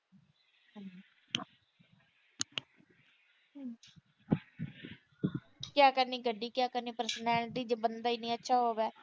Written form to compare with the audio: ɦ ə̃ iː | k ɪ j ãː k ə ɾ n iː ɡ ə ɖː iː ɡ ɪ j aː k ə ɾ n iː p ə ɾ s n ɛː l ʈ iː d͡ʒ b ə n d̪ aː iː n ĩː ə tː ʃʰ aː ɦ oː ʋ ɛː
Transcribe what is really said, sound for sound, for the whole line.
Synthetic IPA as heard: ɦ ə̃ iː | k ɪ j aː k ə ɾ n iː ɡ ə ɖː iː k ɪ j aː k ə ɾ n iː p ə ɾ s n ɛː l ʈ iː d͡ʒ b ə n d̪ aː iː n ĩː ə tː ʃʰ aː ɦ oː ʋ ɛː